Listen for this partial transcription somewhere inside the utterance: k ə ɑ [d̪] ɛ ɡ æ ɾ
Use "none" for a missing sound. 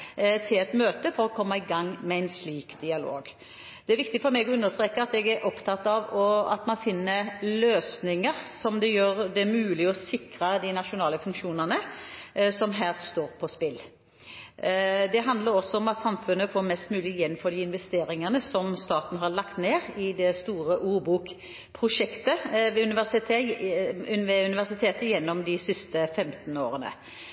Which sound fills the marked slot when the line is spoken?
t̪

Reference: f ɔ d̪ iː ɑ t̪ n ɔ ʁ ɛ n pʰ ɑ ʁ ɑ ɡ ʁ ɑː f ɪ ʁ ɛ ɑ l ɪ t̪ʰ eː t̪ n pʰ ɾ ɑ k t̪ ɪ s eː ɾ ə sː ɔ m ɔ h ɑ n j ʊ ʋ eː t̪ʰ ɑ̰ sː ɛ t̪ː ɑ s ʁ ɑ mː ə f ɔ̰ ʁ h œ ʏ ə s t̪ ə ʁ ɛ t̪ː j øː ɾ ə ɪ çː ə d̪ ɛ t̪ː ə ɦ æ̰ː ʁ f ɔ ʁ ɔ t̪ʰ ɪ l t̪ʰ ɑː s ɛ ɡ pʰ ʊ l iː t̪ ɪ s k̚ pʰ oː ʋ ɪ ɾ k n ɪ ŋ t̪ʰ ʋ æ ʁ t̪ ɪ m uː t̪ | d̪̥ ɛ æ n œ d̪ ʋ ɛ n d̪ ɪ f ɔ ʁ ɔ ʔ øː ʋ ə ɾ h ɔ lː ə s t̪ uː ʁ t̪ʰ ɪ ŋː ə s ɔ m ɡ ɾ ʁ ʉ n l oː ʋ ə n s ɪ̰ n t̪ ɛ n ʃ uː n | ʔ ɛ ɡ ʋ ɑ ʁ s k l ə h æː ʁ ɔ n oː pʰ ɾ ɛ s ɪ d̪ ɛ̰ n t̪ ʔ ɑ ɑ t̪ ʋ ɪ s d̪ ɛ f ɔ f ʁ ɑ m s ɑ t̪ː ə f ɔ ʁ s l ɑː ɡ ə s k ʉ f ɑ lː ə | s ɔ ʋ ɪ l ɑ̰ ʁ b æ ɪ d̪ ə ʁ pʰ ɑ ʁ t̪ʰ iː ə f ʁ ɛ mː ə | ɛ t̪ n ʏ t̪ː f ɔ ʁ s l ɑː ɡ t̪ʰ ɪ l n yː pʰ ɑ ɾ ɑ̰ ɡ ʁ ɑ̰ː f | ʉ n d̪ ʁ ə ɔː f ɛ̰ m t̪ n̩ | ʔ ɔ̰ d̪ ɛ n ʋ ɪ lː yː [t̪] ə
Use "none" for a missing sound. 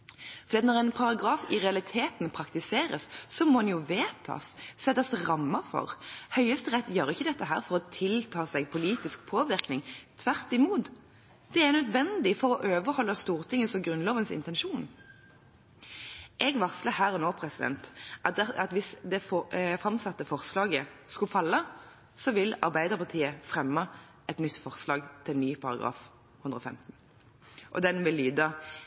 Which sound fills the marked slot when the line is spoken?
d̪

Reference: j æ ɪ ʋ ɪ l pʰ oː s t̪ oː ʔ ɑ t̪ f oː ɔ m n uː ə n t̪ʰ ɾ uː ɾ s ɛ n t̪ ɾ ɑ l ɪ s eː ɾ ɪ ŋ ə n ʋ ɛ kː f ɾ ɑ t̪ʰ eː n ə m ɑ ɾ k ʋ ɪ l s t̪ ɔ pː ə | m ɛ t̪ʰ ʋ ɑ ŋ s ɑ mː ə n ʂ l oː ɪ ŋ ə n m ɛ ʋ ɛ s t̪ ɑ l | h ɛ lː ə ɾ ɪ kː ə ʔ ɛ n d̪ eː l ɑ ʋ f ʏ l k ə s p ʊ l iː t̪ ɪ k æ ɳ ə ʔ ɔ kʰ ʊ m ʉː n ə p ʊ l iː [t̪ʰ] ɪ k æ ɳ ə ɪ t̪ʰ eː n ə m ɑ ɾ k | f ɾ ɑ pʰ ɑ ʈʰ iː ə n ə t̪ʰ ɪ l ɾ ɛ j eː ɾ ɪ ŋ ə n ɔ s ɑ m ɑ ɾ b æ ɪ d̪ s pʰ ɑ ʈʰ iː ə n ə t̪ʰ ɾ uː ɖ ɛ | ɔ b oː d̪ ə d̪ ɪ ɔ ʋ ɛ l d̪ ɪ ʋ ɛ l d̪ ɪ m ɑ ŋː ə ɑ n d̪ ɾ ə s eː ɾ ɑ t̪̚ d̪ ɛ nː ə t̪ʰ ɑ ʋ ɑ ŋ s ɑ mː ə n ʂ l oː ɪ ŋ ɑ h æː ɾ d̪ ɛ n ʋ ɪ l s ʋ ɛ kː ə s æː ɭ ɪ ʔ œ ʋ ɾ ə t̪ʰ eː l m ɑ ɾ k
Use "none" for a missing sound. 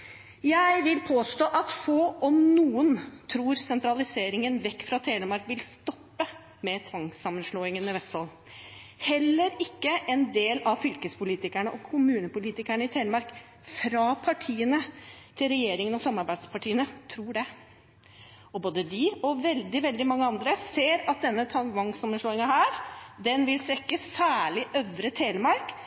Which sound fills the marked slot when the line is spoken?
t̪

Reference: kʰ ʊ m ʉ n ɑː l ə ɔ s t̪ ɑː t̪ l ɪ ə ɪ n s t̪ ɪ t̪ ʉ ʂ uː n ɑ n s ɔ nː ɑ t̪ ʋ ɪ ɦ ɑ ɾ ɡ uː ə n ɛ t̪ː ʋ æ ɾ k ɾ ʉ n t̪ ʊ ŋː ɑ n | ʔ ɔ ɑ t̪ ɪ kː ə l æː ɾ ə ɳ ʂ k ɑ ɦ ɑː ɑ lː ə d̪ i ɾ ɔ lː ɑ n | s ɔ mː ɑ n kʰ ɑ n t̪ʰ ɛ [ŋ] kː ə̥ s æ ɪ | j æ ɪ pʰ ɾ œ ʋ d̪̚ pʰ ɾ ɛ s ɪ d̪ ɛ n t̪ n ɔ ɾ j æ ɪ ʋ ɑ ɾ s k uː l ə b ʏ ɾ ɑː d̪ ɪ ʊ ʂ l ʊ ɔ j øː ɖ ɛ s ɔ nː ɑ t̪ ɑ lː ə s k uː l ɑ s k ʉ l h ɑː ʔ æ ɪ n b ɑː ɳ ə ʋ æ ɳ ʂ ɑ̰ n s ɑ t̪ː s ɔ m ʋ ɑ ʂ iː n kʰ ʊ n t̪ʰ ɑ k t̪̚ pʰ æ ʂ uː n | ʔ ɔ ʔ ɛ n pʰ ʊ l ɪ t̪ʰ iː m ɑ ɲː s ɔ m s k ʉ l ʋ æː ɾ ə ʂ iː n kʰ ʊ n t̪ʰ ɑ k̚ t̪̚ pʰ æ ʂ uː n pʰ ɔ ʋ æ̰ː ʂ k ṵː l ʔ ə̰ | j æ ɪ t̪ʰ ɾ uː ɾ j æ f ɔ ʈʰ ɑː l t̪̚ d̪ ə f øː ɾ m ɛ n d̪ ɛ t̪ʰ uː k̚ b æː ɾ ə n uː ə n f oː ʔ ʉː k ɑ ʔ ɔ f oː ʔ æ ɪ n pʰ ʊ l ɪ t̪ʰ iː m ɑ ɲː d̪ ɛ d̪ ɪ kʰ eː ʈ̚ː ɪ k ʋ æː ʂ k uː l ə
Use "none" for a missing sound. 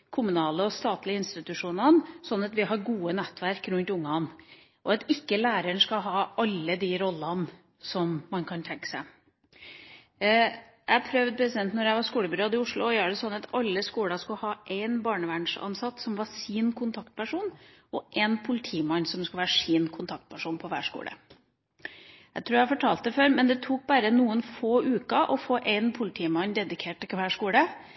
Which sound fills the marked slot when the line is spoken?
ŋ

